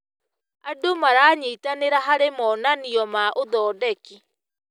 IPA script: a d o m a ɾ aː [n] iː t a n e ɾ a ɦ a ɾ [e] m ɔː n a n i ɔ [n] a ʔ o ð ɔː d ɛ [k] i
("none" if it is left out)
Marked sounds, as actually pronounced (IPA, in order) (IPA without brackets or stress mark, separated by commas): ɲ, e, m, k